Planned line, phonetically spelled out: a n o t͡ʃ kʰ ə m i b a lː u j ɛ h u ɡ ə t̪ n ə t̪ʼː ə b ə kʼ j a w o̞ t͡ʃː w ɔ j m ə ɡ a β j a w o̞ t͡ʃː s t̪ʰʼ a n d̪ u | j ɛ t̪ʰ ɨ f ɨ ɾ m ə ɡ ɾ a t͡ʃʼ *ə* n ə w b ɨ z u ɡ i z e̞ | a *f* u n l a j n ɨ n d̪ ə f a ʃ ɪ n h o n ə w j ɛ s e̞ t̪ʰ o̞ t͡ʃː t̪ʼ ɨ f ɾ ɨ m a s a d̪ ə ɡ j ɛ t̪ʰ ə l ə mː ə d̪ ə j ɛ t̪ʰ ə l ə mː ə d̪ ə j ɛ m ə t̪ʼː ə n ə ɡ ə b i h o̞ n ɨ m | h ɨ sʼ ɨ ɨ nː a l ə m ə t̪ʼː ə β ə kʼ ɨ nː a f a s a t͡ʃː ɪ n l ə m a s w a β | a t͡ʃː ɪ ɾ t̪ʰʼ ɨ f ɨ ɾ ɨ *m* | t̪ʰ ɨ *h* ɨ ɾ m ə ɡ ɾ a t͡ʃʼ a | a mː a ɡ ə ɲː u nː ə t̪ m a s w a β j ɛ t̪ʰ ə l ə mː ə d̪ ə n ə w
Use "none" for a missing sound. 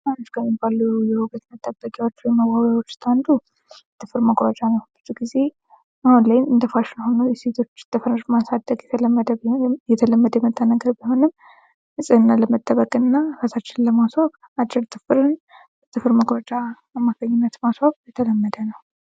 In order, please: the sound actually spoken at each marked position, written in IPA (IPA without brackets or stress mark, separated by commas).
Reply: a, h, n, f